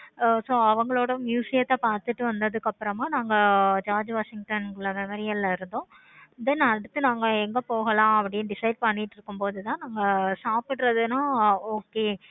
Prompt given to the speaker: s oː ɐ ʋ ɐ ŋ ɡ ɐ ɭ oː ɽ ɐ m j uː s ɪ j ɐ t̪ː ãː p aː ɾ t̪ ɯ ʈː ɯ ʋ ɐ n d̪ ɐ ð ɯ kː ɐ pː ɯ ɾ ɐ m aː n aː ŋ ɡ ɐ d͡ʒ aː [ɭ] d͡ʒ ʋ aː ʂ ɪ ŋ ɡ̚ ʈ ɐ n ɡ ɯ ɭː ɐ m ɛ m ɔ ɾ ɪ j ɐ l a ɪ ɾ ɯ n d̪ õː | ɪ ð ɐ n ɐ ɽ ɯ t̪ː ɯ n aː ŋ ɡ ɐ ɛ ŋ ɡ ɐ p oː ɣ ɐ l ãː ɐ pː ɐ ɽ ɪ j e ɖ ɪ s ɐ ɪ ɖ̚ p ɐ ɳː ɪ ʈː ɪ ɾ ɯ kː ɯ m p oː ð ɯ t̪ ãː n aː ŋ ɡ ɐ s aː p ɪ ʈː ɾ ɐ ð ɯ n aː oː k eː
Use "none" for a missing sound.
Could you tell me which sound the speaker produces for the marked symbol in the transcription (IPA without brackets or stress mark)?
ɾ